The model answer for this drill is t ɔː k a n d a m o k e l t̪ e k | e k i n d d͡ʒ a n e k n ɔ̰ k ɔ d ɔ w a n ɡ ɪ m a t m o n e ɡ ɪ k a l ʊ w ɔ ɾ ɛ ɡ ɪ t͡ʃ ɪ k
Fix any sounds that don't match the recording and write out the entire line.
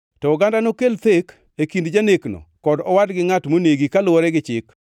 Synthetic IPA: t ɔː ɡ a n d a n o k e l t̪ e k | e k i n d d͡ʒ a n e k n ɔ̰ k ɔ d ɔ w a d ɡ ɪ ŋ a t m o n e ɡ i k a l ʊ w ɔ ɾ ɛ ɡ ɪ t͡ʃ ɪ k